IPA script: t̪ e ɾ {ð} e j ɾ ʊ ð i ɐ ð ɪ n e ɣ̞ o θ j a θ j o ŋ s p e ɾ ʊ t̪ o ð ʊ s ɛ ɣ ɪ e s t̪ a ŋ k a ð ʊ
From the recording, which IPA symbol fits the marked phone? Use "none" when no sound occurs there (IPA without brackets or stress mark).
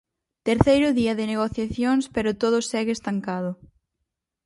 θ